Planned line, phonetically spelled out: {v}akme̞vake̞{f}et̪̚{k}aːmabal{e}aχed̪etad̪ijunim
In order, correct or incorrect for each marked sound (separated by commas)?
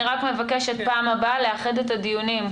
incorrect, incorrect, incorrect, correct